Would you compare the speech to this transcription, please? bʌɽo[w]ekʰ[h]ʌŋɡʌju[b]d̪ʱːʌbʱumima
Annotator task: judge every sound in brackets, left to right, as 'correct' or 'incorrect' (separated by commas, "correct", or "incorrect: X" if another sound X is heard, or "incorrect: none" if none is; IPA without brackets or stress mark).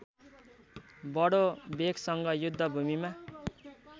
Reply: incorrect: b, incorrect: s, incorrect: none